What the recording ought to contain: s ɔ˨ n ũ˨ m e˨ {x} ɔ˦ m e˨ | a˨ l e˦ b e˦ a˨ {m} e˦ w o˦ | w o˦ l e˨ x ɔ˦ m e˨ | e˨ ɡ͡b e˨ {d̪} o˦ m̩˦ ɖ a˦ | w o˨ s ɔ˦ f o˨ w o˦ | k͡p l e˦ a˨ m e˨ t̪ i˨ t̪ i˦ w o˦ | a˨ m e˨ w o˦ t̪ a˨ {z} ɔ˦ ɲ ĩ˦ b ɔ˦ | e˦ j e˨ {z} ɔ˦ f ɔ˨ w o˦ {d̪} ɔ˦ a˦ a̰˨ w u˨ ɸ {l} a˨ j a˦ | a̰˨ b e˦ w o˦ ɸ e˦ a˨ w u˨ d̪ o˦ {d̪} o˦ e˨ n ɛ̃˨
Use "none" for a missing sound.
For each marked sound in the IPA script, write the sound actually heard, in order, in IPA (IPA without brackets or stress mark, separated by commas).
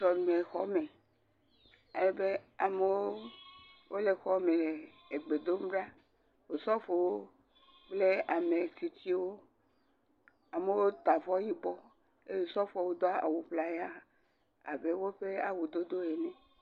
x, m, d̪, v, s, d̪, l, d̪